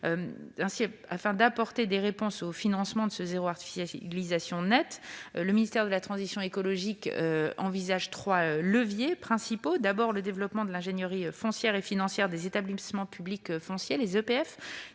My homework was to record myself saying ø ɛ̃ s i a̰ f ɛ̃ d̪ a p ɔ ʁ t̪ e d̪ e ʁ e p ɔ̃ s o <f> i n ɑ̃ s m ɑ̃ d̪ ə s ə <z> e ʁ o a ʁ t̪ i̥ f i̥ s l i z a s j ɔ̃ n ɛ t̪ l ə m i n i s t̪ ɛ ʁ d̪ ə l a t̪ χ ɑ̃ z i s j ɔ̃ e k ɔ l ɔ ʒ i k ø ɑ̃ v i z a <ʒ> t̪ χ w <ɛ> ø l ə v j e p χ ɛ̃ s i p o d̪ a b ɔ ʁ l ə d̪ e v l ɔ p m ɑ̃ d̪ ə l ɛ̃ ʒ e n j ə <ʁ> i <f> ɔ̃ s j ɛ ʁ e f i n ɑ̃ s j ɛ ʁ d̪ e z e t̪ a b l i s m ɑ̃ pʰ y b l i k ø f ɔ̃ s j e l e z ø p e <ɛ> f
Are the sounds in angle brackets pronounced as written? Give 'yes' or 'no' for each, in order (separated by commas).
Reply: yes, yes, yes, no, yes, yes, yes